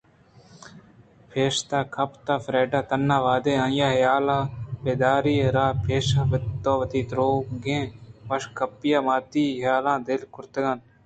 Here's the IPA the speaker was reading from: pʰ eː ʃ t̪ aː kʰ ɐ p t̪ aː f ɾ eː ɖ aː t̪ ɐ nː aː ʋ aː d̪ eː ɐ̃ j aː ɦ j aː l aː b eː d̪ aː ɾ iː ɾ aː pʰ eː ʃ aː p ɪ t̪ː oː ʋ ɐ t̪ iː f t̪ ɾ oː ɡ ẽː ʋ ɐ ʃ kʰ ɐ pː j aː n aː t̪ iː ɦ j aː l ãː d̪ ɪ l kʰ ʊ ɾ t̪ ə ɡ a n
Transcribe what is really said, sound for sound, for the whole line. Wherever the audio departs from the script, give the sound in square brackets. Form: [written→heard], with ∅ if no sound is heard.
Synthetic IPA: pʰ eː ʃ t̪ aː kʰ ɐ p t̪ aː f ɾ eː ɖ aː t̪ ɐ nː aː ʋ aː d̪ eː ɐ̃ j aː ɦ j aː l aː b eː d̪ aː ɾ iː ɾ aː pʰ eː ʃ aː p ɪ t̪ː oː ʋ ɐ t̪ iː [f→∅] t̪ ɾ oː ɡ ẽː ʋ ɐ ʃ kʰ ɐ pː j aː [n→m] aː t̪ iː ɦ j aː l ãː d̪ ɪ l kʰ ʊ ɾ t̪ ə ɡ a n